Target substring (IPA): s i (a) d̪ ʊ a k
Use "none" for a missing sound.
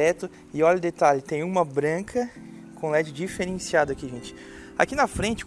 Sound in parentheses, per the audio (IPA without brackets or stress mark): a